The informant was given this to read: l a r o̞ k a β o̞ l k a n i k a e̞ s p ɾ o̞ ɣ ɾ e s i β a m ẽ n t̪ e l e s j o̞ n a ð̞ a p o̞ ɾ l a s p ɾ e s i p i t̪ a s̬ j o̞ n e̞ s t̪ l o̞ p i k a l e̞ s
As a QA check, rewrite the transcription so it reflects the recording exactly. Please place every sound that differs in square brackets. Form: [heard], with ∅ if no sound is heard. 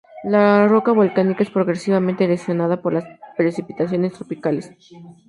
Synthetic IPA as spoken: l a r o̞ k a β o̞ l k a n i k a e̞ s p ɾ o̞ ɣ ɾ e s i β a m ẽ n t̪ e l e s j o̞ n a ð̞ a p o̞ ɾ l a s p ɾ e s i p i t̪ a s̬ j o̞ n e̞ s t̪ [ɾ] o̞ p i k a l e̞ s